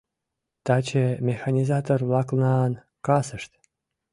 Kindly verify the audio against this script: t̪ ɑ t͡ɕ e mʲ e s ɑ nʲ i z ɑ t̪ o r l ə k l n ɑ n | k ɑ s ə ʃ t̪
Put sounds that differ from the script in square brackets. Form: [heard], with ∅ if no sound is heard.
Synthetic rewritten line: t̪ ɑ t͡ɕ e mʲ e [x] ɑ nʲ i z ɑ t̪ o r l [ɑ] k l n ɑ n | k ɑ s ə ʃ t̪